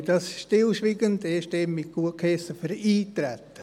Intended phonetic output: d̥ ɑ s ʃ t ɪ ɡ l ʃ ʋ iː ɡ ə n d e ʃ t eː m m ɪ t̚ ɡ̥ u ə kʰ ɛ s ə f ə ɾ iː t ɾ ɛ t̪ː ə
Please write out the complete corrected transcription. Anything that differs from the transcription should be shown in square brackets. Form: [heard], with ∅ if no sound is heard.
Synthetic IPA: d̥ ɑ s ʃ t ɪ [∅] l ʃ ʋ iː ɡ ə n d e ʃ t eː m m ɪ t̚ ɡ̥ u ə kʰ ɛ s ə f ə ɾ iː t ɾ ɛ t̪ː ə

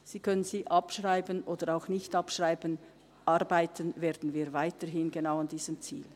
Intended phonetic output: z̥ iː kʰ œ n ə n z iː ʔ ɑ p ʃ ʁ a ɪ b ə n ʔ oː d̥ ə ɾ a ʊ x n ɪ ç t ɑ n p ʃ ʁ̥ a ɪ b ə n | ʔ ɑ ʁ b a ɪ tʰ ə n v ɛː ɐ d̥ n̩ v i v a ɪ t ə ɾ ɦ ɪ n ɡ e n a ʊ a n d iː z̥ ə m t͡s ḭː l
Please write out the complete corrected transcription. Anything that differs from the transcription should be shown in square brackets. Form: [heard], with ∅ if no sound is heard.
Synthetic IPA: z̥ iː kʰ œ n ə n z iː ʔ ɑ p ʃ ʁ a ɪ b ə n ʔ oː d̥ ə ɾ a ʊ x n ɪ ç t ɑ [∅] p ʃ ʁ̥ a ɪ b ə n | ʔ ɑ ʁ b a ɪ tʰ ə n v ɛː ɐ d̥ n̩ v [iː] v a ɪ t ə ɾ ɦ ɪ n ɡ e n a ʊ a n d iː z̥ ə m t͡s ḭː l

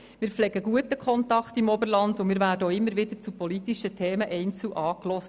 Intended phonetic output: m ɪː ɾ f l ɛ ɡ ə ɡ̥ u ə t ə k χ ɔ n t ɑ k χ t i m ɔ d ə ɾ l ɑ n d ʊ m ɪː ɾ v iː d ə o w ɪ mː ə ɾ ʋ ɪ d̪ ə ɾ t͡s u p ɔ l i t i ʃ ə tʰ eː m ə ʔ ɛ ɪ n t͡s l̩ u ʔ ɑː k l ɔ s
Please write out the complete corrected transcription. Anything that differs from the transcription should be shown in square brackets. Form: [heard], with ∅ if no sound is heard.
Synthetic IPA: m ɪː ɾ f l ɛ ɡ ə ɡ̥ u ə t ə k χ ɔ n t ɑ k χ t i m ɔ [b] ə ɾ l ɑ n d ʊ m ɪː ɾ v [æː] d ə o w ɪ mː ə ɾ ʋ ɪ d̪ ə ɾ t͡s u p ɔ l i t i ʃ ə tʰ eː m ə ʔ ɛ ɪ n t͡s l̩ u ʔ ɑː k l ɔ s

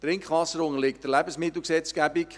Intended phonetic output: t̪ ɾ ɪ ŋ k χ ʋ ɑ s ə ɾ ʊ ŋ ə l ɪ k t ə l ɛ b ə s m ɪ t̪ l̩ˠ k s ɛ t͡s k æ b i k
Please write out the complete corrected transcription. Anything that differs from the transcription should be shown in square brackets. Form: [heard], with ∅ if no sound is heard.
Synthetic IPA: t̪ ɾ ɪ ŋ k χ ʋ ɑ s ə ɾ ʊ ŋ ə l ɪ k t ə l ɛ b ə s m ɪ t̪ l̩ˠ k s ɛ t͡s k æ b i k

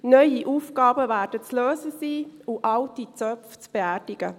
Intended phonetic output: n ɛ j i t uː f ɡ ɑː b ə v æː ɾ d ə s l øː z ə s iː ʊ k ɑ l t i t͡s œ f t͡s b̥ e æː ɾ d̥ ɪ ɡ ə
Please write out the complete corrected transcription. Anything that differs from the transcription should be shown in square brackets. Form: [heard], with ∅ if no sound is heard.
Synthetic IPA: n [œ] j i [ʔ] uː f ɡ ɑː b ə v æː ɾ d ə [t͡s] l øː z ə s iː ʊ [ʔ] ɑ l t i t͡s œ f t͡s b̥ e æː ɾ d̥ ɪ ɡ ə

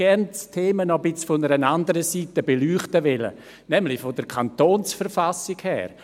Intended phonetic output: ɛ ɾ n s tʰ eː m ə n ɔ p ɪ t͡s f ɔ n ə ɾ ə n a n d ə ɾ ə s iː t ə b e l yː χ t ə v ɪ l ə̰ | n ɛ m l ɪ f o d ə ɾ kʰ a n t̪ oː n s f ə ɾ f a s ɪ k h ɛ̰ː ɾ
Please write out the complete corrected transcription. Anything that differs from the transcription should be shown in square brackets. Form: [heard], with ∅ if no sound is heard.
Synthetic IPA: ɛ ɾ n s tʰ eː m ə n ɔ [b] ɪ t͡s f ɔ n ə ɾ ə n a n d ə ɾ ə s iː t ə b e l yː χ t ə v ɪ l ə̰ | n ɛ m l ɪ f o d ə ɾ kʰ a n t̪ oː n s f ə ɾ f a s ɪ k h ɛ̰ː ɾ

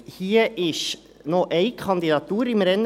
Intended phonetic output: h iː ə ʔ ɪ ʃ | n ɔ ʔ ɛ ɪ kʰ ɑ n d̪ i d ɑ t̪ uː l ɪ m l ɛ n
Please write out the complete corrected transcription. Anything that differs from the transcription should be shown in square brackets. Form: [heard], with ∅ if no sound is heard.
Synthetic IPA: h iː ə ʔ ɪ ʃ | n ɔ ʔ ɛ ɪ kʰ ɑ n d̪ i d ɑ t̪ uː [ɾ] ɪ m [ɾ] ɛ n

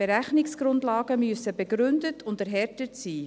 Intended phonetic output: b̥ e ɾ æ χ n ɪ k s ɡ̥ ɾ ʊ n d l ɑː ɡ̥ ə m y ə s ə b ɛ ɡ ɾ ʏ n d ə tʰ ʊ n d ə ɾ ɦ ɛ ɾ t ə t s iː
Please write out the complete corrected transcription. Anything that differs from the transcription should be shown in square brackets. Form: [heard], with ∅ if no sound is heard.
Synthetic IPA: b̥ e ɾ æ χ n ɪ k s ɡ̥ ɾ ʊ n d l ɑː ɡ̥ ə m y ə s ə b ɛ ɡ ɾ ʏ n d ə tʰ ʊ n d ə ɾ ɦ ɛ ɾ t ə t s iː

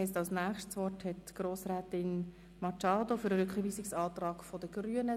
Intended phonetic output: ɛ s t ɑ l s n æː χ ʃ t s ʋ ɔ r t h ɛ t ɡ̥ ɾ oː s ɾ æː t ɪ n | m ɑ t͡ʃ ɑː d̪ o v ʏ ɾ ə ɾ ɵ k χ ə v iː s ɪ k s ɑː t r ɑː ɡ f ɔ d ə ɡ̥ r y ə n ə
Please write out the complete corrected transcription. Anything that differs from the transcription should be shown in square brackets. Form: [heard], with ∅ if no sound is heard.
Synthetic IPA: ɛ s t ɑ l s n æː χ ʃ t s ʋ ɔ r t h ɛ t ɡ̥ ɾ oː s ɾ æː t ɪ n | m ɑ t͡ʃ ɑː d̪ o [f] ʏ ɾ ə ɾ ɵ k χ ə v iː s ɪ k s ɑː t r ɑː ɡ f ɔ d ə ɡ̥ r y ə n ə

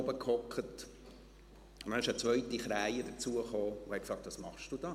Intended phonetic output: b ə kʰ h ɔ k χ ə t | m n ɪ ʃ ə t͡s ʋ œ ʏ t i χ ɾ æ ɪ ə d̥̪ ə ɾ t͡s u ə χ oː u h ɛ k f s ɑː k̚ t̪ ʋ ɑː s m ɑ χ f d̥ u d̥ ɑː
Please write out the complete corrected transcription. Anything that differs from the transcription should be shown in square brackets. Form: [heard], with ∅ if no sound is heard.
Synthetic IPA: b ə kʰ h ɔ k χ ə t | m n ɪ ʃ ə t͡s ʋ œ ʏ t i χ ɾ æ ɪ ə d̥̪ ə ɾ t͡s u ə χ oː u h ɛ k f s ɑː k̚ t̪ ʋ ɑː s m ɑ χ [ʃ] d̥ u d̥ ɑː

